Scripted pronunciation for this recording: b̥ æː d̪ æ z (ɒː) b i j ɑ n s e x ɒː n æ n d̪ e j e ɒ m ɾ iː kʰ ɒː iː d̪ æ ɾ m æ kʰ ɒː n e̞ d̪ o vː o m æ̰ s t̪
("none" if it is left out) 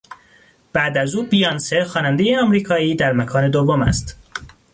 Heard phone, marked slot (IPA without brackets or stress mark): uː